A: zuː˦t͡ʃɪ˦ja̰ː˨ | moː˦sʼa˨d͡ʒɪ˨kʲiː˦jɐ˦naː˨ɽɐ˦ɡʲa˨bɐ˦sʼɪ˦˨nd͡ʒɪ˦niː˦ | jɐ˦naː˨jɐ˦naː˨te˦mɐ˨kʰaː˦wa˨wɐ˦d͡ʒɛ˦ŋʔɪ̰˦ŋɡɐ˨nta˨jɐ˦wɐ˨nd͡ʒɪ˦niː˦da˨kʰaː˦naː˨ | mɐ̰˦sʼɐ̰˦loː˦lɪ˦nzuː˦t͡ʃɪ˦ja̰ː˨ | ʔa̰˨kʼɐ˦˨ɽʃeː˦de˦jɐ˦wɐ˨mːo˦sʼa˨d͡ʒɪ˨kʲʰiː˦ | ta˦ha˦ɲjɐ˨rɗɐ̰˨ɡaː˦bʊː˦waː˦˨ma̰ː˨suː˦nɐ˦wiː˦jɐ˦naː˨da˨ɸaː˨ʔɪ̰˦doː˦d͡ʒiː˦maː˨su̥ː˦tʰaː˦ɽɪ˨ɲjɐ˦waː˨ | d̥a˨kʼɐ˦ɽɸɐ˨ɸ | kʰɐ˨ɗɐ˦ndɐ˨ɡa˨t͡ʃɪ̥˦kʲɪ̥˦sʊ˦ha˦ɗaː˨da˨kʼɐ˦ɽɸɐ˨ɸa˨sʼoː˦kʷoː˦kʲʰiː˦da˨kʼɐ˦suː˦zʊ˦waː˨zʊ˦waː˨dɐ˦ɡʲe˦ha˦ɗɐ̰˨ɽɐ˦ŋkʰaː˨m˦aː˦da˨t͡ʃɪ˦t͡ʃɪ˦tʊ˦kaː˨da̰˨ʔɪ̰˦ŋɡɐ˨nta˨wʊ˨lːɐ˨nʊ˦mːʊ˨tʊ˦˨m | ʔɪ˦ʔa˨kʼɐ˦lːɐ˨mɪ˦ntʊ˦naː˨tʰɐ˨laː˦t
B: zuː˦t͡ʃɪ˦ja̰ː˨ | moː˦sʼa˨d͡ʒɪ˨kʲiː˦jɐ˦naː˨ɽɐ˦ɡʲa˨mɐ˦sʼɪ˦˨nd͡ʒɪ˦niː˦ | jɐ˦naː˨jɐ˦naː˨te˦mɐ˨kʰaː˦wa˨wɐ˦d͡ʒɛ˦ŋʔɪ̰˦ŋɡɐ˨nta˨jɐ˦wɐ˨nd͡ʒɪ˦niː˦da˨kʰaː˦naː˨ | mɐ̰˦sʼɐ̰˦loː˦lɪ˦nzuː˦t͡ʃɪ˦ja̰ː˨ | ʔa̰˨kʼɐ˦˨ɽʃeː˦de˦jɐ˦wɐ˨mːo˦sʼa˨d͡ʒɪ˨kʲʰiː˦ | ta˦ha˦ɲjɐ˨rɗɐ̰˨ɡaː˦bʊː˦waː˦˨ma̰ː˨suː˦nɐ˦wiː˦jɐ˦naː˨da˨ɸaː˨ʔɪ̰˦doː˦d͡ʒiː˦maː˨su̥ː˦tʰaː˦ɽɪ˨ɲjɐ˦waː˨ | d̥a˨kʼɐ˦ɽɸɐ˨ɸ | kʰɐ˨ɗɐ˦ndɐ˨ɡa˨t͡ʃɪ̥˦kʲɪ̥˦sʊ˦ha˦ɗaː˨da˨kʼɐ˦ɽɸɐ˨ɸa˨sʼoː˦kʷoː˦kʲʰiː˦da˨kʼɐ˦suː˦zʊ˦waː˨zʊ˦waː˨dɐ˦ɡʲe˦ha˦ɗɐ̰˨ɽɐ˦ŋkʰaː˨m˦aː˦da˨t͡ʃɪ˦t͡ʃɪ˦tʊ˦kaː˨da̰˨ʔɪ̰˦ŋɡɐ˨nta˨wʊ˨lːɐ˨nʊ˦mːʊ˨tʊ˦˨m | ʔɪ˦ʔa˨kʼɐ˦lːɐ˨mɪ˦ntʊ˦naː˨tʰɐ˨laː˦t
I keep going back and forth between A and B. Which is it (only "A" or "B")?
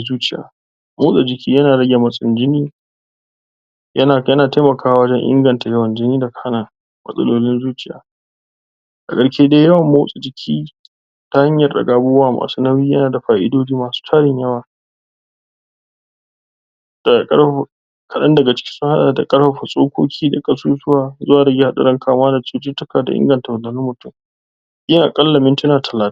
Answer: B